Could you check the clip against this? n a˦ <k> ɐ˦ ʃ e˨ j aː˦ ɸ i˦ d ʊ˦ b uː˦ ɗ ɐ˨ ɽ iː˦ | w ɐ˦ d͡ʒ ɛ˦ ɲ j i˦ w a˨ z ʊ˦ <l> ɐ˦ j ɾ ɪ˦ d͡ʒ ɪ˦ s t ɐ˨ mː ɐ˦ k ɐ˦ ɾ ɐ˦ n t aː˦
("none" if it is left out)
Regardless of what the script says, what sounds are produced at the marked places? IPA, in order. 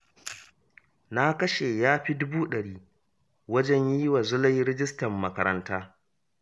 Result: k, l

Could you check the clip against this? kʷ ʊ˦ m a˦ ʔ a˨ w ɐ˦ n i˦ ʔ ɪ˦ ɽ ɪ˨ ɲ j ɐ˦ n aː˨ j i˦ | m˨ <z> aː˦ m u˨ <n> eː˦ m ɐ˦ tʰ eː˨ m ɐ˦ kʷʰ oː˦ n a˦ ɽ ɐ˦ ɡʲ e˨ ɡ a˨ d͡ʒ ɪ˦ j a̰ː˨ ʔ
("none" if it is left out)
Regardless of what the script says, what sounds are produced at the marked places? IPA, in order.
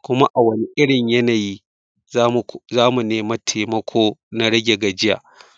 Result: z, n

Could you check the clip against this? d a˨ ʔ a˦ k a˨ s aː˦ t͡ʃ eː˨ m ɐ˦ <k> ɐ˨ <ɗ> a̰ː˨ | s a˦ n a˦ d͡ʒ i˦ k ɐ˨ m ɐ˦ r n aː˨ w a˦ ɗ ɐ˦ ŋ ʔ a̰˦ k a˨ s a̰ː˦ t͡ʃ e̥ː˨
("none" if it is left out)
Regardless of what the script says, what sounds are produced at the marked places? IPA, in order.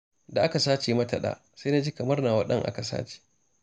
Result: t, ɗ

